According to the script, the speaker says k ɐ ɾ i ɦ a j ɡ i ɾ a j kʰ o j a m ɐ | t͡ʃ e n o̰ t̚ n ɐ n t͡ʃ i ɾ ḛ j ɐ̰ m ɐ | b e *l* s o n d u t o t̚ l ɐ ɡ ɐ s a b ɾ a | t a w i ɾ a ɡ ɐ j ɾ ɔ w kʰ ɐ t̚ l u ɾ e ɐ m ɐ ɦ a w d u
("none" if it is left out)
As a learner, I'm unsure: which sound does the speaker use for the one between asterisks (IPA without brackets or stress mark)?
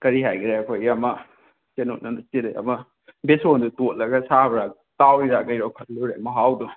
none